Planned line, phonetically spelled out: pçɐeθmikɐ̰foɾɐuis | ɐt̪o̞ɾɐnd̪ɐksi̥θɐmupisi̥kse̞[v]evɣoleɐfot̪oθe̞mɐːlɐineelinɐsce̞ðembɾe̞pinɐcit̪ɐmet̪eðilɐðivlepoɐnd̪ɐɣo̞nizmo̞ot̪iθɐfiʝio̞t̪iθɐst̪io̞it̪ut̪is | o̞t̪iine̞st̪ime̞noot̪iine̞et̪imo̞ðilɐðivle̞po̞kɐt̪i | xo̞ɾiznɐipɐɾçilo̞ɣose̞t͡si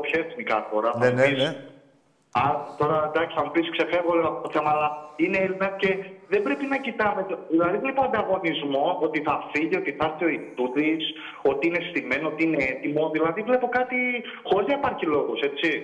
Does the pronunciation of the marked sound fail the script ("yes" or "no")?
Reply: yes